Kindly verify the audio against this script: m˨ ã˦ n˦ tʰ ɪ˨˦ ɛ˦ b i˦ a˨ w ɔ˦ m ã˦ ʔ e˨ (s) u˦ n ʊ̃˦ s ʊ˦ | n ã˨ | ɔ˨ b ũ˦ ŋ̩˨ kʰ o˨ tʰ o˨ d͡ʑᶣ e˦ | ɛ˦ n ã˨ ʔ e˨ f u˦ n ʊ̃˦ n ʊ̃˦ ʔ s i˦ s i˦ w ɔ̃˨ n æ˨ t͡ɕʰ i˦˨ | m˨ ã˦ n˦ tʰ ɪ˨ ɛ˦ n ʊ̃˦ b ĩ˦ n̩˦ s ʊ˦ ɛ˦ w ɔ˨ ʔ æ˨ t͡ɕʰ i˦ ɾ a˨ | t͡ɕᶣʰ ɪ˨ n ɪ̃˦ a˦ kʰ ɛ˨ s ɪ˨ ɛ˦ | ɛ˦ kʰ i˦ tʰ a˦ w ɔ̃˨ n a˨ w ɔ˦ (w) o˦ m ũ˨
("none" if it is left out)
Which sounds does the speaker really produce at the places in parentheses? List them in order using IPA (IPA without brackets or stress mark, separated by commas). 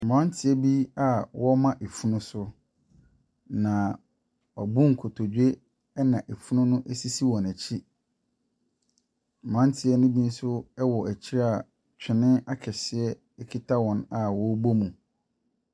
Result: f, b